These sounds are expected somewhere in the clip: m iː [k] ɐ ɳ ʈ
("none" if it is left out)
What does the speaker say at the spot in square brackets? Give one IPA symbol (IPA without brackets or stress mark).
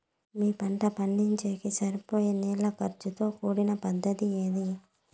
p